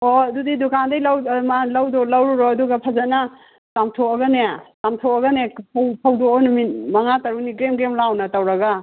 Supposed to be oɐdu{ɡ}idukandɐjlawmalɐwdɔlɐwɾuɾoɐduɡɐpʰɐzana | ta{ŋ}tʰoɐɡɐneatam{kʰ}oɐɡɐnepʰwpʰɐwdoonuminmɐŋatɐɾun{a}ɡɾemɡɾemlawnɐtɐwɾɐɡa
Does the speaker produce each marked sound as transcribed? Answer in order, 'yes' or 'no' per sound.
no, no, no, no

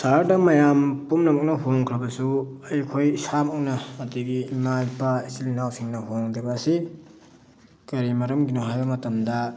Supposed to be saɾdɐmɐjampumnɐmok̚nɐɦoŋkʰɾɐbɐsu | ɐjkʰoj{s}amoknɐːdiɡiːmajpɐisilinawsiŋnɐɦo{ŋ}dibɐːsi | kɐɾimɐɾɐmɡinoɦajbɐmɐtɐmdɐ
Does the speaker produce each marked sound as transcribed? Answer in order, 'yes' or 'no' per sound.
yes, yes

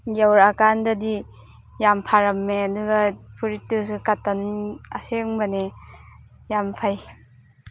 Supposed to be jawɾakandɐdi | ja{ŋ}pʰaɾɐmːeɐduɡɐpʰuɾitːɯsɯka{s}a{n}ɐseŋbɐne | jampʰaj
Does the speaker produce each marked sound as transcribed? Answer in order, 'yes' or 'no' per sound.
no, no, yes

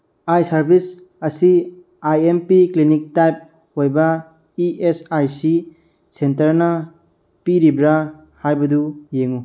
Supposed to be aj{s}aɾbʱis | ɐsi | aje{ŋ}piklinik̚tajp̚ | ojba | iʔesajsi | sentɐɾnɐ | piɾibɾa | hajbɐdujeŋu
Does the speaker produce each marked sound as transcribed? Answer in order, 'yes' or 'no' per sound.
yes, no

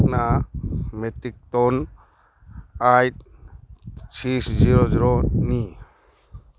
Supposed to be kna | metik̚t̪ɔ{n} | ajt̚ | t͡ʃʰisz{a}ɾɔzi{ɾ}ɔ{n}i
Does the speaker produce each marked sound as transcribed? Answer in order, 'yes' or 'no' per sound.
yes, no, yes, yes

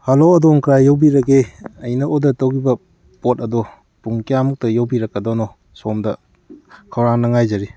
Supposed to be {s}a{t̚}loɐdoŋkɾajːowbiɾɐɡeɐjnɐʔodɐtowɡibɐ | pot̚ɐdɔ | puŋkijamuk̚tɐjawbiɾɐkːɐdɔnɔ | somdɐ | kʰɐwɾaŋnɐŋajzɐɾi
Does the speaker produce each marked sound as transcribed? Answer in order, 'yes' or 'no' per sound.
no, no

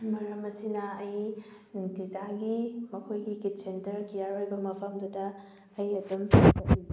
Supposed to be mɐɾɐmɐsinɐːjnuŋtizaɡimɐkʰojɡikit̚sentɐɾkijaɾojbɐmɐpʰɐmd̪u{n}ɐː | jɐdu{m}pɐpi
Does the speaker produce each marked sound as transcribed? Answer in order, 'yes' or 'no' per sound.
no, yes

